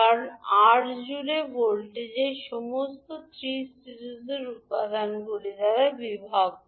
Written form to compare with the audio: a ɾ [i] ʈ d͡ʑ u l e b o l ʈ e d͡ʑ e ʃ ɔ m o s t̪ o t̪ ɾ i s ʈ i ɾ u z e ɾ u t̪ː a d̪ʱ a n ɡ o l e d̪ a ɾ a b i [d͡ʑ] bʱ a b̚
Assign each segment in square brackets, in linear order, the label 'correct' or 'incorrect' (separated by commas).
incorrect, incorrect